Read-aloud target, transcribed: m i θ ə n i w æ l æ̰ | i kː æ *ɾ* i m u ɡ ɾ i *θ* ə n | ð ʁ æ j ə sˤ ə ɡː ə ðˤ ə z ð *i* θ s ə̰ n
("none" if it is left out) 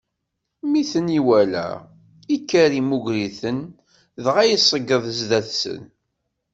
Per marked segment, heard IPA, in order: ɾ, θ, æ

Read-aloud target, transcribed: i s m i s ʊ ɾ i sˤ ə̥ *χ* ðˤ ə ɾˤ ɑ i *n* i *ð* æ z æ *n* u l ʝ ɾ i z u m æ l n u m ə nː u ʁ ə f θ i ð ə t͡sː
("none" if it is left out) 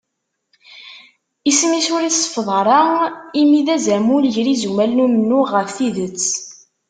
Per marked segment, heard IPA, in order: f, m, ð, m

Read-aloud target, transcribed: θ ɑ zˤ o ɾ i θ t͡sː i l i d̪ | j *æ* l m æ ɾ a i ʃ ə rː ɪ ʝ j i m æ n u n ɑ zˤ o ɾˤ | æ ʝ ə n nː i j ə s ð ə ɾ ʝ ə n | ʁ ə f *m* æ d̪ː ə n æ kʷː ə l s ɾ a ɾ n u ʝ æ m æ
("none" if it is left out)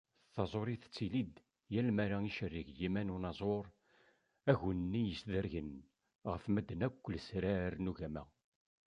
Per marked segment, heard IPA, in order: æ, m

